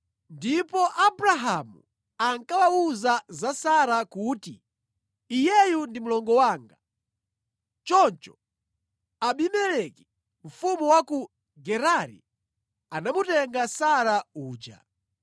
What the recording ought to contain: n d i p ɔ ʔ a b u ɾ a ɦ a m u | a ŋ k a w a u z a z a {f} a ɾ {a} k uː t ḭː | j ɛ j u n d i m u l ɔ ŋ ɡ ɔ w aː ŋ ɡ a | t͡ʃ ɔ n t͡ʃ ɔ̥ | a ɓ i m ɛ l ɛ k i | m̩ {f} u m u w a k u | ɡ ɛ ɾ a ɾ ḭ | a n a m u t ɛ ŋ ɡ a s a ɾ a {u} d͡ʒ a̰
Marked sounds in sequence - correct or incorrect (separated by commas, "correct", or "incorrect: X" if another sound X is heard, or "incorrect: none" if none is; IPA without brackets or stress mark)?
incorrect: s, correct, correct, incorrect: uː